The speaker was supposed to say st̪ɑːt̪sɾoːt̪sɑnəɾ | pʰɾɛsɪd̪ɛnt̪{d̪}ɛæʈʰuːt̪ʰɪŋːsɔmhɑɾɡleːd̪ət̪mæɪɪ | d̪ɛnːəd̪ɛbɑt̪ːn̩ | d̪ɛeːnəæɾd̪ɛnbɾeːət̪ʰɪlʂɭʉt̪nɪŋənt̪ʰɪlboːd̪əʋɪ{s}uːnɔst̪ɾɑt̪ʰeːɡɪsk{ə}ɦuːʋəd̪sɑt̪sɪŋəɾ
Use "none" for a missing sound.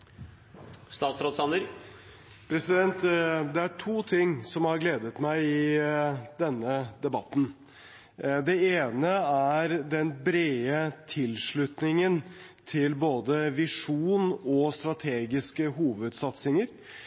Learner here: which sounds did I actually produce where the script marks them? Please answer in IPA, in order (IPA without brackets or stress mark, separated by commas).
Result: d̪, ʂ, ə